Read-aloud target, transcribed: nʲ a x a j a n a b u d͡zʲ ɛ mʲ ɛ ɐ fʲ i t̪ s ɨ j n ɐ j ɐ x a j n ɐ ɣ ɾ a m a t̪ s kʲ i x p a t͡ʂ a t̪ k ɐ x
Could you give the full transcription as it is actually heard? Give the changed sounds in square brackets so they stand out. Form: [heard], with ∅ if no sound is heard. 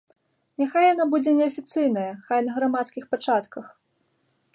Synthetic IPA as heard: nʲ a x a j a n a b u d͡zʲ ɛ [nʲ] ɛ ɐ fʲ i t̪ s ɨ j n ɐ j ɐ x a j n ɐ ɣ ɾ a m a t̪ s kʲ i x p a t͡ʂ a t̪ k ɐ x